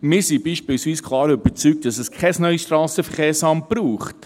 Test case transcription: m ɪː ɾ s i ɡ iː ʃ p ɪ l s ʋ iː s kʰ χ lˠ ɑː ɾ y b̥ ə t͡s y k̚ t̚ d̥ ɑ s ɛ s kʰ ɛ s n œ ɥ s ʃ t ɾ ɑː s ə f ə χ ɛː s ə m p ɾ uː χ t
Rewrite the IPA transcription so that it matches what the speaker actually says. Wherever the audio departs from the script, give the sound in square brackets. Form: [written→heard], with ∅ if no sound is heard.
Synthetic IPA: m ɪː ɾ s i [ɡ→b] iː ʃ p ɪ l s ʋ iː s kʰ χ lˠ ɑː ɾ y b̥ ə t͡s y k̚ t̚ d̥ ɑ s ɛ s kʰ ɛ s n œ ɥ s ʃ t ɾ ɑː s ə f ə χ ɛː s [ə→ɑ] m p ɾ uː χ t